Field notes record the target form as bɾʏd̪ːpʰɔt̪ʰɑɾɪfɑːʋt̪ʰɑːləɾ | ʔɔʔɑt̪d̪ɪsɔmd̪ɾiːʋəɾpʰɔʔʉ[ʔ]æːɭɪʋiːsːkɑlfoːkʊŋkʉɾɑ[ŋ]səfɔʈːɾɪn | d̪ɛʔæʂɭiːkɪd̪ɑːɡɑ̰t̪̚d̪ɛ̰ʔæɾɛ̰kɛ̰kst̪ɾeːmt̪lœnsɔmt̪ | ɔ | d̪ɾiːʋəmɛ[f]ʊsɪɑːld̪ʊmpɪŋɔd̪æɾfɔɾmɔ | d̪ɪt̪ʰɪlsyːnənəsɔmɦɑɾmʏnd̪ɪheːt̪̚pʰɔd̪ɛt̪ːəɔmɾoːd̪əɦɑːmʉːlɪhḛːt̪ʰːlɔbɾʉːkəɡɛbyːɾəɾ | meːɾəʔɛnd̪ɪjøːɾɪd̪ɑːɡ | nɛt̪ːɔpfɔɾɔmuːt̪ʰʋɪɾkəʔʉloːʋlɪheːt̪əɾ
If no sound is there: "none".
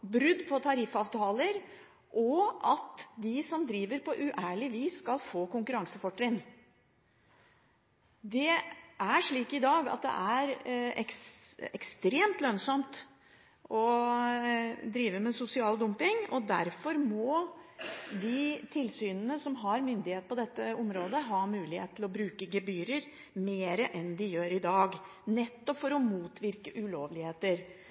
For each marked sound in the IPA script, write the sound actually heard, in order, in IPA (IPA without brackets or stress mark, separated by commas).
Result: ʔ, ŋ, s